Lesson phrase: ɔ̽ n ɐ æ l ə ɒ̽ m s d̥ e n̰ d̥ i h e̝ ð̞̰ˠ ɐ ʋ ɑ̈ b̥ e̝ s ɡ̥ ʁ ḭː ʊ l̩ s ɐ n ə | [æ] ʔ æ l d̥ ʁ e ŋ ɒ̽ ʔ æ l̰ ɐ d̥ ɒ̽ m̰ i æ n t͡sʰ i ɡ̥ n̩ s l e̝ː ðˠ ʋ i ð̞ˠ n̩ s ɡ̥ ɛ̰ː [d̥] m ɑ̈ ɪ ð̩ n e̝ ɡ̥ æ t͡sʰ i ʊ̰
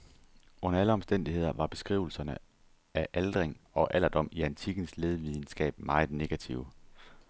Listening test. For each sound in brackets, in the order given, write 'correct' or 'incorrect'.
correct, incorrect: b̥

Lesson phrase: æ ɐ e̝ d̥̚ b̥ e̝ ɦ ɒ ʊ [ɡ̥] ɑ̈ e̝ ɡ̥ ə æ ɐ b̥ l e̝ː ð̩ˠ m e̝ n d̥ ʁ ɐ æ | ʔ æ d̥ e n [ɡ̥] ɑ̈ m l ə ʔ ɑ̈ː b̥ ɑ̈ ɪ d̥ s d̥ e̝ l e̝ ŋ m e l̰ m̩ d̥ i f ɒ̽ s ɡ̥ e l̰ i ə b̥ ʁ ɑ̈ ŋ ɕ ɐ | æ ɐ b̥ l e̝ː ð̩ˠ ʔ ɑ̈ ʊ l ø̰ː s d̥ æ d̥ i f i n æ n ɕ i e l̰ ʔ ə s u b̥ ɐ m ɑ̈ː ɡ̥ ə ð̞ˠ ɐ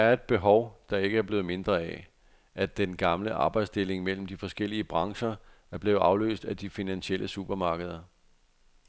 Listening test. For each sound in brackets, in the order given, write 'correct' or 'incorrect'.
incorrect: d̥, correct

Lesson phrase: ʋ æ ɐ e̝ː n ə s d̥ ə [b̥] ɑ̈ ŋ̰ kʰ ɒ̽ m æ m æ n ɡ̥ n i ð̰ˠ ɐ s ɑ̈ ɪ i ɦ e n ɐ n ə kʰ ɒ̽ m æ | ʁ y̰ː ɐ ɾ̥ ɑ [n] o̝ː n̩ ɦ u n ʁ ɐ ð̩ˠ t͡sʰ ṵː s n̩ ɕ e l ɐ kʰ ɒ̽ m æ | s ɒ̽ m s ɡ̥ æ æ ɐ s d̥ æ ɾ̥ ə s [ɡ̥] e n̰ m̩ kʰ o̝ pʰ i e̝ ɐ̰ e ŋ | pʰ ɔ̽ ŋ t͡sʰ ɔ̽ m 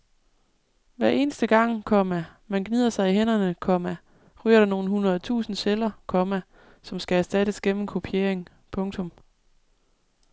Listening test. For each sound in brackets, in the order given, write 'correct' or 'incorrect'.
incorrect: ɡ̥, correct, correct

